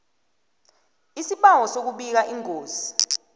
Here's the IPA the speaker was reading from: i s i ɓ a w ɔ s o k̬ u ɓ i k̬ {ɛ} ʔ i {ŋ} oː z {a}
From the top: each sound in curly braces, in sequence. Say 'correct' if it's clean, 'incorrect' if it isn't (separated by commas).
incorrect, correct, incorrect